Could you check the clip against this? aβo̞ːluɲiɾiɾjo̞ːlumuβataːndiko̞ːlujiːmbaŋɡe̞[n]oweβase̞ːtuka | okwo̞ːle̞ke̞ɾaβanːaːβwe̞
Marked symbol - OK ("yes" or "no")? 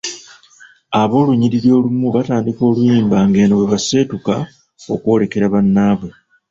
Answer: yes